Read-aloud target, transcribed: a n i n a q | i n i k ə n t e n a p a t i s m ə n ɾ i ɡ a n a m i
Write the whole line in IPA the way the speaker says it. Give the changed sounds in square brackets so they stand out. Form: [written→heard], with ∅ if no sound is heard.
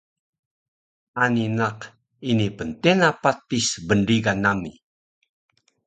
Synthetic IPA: a n i n a q | i n i [k→p] ə n t e n a p a t i s [m→b] ə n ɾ i ɡ a n a m i